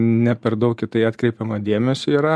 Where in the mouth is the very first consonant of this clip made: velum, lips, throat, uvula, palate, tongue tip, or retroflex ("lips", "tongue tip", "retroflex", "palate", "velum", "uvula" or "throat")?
tongue tip